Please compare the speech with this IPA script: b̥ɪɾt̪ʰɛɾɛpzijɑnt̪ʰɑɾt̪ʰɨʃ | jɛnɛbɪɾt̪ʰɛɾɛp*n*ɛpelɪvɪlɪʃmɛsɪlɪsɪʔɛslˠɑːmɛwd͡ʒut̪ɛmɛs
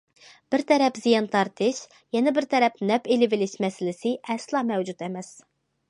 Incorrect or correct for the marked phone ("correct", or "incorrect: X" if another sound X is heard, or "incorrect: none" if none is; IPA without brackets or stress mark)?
correct